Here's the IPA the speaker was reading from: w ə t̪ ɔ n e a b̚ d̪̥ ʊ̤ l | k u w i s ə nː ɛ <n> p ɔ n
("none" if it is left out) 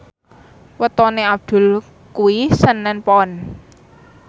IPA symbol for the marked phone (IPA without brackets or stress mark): n